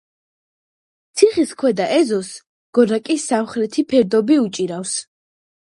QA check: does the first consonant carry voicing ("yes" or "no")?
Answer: no